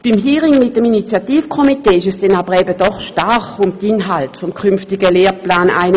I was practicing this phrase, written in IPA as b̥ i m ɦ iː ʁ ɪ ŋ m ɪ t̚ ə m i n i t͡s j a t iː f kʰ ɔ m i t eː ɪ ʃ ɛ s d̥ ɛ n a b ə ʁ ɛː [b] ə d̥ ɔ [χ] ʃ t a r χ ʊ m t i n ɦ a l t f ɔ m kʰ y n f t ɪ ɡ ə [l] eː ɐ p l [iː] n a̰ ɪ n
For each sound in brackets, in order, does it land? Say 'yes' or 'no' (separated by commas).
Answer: yes, yes, yes, no